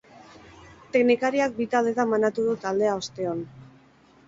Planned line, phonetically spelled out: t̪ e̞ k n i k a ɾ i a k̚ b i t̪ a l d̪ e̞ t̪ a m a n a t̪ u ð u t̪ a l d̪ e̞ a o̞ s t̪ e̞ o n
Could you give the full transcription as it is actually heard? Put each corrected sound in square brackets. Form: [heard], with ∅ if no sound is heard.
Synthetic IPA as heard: t̪ e̞ k n i k a ɾ i a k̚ b i t̪ a l d̪ e̞ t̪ a m a n a t̪ u ð u t̪ a l d̪ e̞ a o̞ s t̪ e̞ o n